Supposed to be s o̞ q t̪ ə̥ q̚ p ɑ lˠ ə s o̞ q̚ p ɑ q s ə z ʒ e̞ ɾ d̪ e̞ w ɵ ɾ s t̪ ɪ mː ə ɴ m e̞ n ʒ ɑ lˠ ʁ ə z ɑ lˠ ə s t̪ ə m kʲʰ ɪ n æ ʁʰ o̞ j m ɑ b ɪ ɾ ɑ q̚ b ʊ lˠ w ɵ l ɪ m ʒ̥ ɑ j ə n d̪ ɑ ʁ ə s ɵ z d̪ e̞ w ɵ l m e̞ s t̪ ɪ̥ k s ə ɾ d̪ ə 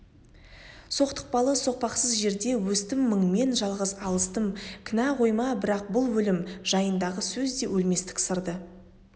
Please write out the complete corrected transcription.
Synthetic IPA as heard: s o̞ q t̪ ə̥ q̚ p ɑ lˠ ə s o̞ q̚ p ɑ q s ə z ʒ e̞ ɾ d̪ e̞ w ɵ s t̪ ɪ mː ə ɴ m e̞ n ʒ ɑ lˠ ʁ ə z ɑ lˠ ə s t̪ ə m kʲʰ ɪ n æ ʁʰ o̞ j m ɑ b ɪ ɾ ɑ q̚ b ʊ lˠ w ɵ l ɪ m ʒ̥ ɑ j ə n d̪ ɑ ʁ ə s ɵ z d̪ e̞ w ɵ l m e̞ s t̪ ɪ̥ k s ə ɾ d̪ ə